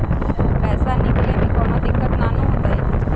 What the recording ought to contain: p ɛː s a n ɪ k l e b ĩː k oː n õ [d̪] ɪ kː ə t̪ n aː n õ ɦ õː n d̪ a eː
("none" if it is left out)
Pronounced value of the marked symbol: d̪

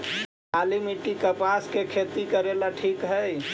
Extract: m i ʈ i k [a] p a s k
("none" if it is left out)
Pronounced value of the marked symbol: ə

